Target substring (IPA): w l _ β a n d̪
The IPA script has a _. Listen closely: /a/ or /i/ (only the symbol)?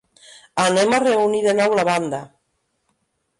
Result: a